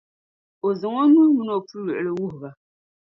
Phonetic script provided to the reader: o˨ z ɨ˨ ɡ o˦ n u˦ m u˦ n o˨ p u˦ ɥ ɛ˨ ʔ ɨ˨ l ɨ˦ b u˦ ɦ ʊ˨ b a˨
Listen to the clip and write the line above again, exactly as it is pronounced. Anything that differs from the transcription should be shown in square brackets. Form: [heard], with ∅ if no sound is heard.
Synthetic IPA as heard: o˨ z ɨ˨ [ŋ] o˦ n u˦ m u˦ n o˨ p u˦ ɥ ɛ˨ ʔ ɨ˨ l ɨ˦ [w] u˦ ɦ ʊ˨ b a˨